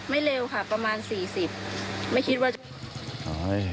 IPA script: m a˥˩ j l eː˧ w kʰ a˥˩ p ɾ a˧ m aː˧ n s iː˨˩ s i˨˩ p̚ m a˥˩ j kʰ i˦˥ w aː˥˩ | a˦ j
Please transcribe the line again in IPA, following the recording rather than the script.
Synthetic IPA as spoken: m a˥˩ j l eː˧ w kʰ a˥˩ p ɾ a˧ m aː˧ n s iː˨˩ s i˨˩ p̚ m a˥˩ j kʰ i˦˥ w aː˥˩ | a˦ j

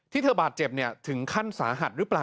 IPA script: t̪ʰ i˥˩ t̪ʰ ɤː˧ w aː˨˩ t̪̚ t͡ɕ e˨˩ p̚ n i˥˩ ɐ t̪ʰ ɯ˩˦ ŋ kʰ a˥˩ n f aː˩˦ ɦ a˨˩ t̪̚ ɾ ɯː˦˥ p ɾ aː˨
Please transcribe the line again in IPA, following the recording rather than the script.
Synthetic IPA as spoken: t̪ʰ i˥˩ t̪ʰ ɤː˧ b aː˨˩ t̪̚ t͡ɕ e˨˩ p̚ n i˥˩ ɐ t̪ʰ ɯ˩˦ ŋ kʰ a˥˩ n s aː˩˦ ɦ a˨˩ t̪̚ ɾ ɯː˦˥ p l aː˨

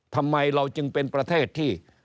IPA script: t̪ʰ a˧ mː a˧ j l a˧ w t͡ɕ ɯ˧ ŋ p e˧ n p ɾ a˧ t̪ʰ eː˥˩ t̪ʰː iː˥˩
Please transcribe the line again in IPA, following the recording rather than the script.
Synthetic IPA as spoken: t̪ʰ a˧ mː a˧ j ɾ a˧ w t͡ɕ ɯ˧ ŋ p e˧ n p ɾ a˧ t̪ʰ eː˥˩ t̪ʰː iː˥˩

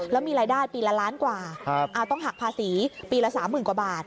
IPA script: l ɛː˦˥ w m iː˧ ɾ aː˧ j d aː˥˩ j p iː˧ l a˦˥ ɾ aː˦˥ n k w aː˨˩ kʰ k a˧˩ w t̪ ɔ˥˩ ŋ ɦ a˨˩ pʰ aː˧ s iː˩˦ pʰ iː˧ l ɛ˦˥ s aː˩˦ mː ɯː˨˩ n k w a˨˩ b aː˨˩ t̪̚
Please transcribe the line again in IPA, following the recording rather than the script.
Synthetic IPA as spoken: l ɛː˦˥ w m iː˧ ɾ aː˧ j d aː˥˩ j p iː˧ l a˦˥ l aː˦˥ n k w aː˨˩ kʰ ʔ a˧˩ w t̪ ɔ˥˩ ŋ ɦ a˨˩ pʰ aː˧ s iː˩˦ p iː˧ l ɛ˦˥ s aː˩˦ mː ɯː˨˩ n k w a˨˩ b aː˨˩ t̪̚

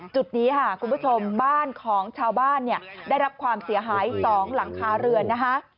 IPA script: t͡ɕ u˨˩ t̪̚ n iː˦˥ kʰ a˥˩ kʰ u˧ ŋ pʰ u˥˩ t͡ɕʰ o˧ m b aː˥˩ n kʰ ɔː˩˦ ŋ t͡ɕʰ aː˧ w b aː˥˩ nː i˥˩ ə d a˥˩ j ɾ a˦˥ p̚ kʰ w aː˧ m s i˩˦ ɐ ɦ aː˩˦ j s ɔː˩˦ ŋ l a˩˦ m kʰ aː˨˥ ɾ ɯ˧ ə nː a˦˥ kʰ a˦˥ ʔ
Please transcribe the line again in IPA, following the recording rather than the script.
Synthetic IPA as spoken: t͡ɕ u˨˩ t̪̚ n iː˦˥ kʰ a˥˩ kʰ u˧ n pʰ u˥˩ t͡ɕʰ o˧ m b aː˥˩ n kʰ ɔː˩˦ ŋ t͡ɕʰ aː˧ w b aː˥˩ nː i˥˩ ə d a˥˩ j ɾ a˦˥ p̚ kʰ w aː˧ m s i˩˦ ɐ ɦ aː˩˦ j s ɔː˩˦ ŋ l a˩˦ ŋ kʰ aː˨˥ ɾ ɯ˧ ə nː a˦˥ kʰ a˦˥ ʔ

